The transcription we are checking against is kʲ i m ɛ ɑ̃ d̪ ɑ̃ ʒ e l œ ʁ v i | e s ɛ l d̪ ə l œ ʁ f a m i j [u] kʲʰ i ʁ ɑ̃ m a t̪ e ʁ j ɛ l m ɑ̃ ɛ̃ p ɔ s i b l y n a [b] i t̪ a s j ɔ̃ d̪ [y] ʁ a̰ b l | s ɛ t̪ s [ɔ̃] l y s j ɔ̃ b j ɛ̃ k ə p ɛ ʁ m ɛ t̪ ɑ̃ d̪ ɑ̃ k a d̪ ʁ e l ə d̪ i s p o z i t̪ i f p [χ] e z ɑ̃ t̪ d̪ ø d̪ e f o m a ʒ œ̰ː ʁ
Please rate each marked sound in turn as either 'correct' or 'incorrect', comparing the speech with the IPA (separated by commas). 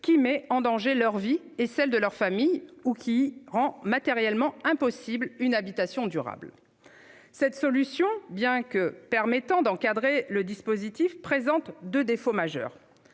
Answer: correct, correct, correct, incorrect, correct